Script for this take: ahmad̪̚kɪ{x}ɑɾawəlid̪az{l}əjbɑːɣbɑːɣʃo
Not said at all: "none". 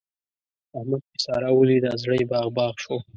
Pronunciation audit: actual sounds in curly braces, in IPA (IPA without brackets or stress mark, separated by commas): s, ɽ